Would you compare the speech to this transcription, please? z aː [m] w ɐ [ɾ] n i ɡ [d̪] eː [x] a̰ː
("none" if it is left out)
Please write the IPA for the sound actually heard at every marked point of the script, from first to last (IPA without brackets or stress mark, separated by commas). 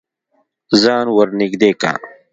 n, ɾ, d̪, k